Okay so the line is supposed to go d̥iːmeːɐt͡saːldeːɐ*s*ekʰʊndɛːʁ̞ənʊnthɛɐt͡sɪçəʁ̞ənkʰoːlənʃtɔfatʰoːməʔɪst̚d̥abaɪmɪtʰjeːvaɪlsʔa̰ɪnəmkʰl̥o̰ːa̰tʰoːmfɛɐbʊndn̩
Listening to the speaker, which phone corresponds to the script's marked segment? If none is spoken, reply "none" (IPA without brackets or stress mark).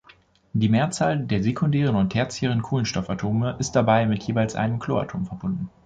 z